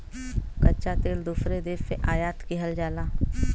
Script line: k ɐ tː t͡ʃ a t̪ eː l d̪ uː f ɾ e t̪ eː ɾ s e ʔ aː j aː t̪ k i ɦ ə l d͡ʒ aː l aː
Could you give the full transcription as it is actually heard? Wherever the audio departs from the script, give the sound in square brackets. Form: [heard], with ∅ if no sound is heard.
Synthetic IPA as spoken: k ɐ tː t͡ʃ a t̪ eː l d̪ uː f ɾ e [d̪] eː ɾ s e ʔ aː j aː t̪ k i ɦ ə l d͡ʒ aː l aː